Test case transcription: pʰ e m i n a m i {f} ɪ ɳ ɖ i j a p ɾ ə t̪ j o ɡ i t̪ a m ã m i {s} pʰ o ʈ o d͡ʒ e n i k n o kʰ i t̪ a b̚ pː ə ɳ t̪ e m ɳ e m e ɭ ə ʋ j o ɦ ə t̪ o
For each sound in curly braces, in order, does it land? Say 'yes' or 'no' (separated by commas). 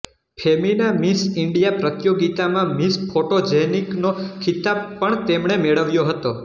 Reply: no, yes